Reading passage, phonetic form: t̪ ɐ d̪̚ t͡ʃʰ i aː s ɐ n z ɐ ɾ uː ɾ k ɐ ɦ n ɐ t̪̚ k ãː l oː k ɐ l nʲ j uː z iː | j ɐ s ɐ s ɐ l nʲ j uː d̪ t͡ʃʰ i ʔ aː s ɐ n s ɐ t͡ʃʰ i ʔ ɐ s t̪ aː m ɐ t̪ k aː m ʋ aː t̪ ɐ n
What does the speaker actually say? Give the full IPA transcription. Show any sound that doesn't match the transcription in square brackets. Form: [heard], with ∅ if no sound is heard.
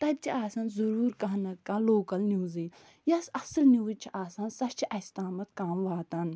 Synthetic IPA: t̪ ɐ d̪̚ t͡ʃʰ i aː s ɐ n z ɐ ɾ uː ɾ k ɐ ɦ n ɐ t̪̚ k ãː l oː k ɐ l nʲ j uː z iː | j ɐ s ɐ s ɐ l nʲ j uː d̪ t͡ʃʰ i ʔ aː s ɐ n s ɐ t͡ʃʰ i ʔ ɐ s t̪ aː m ɐ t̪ k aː m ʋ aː t̪ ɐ n